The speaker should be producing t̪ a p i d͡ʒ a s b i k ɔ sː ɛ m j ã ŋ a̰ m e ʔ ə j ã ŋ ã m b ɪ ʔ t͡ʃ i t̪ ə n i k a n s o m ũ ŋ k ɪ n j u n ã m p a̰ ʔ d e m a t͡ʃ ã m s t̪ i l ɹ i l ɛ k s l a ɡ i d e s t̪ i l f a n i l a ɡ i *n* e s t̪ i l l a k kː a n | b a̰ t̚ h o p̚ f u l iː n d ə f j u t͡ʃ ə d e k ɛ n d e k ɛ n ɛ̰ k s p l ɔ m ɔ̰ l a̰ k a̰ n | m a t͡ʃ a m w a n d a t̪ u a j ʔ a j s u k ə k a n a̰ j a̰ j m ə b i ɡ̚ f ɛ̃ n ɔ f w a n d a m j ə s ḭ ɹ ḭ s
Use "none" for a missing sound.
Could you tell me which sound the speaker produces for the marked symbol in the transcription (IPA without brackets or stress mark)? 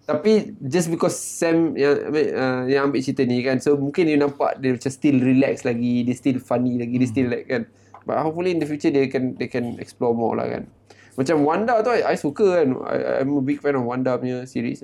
d